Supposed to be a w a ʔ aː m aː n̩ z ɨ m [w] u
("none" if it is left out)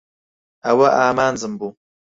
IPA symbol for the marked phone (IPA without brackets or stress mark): b